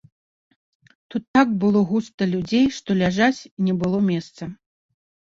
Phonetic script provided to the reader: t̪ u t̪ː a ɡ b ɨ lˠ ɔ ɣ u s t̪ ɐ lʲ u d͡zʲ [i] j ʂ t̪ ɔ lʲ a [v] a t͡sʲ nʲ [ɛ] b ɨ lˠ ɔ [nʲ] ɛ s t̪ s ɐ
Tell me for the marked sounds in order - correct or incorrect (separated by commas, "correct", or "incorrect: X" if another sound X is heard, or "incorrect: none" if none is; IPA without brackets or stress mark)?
incorrect: e, incorrect: ʐ, correct, incorrect: mʲ